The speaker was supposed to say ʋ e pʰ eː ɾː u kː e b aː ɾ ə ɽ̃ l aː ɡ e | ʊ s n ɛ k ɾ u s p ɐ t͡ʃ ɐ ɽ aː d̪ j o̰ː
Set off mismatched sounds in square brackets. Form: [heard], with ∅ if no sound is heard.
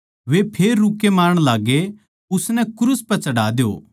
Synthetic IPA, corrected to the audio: ʋ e pʰ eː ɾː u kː e [m] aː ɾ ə ɽ̃ l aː ɡ e | ʊ s n ɛ k ɾ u s p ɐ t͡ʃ ɐ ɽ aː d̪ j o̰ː

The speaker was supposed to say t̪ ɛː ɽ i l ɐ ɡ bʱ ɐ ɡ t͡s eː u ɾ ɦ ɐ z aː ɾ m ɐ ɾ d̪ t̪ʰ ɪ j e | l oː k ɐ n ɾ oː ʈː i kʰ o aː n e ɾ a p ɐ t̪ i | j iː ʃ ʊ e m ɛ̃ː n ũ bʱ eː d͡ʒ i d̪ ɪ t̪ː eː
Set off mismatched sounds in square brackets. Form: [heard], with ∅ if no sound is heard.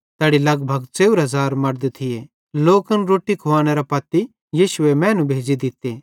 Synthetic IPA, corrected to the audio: t̪ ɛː ɽ i l ɐ ɡ bʱ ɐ ɡ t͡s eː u ɾ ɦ ɐ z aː ɾ m ɐ ɾ d̪ t̪ʰ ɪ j e | l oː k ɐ n ɾ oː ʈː i kʰ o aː n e ɾ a p ɐ t̪ i | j iː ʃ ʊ e m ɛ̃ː n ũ bʱ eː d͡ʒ i d̪ ɪ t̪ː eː

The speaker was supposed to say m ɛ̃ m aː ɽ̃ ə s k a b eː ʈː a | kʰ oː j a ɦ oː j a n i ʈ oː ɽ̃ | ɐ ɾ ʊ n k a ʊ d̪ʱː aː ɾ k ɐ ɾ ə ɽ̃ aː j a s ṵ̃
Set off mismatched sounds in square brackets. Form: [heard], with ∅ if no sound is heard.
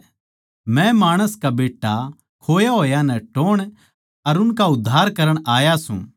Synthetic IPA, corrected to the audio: m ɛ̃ m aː ɽ̃ ə s k a b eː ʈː a | kʰ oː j a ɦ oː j a n [ɛ] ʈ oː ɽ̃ | ɐ ɾ ʊ n k a ʊ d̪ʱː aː ɾ k ɐ ɾ ə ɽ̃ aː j a s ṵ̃

